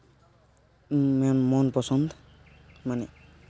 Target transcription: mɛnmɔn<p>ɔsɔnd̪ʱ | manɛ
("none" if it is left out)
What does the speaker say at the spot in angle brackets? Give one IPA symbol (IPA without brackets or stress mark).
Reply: p